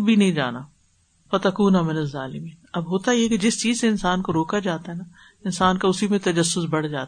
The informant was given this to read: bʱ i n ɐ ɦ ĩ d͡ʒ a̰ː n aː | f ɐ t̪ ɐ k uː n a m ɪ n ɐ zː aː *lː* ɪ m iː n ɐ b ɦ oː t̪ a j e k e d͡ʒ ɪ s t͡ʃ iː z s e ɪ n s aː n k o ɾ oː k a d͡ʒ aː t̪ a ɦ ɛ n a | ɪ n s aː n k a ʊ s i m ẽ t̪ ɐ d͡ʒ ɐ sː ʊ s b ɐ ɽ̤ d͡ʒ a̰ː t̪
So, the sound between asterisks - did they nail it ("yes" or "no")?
no